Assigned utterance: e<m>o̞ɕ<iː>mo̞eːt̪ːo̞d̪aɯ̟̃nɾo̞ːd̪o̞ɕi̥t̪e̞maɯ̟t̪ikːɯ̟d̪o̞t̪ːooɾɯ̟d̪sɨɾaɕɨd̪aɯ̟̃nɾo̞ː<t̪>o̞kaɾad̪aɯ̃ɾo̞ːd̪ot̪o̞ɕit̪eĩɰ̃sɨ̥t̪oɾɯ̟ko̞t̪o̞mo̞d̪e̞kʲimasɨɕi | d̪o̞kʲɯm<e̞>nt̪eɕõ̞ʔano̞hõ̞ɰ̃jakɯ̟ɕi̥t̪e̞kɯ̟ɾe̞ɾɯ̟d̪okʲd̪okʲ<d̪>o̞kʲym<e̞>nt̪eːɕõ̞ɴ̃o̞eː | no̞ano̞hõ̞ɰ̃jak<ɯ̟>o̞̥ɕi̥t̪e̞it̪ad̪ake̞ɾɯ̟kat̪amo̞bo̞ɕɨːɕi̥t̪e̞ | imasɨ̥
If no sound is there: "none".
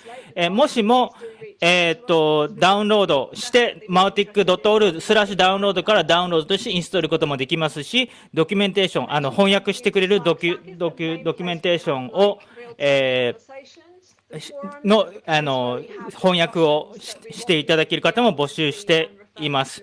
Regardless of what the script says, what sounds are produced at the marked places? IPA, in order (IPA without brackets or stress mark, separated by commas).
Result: m, i, d̪, ẽ̞, d̪, ẽ̞, ɯ̟